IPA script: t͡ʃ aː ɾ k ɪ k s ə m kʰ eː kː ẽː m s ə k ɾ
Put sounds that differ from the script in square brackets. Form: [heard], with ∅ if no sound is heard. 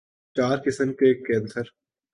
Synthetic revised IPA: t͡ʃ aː ɾ k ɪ [∅] s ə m [k] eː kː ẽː [n] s ə [∅] ɾ